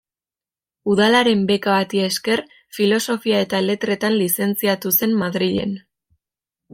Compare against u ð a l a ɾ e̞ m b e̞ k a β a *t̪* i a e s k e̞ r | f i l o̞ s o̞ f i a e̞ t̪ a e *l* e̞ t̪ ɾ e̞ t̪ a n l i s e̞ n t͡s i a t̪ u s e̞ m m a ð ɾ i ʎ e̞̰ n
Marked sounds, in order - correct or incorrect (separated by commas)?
correct, correct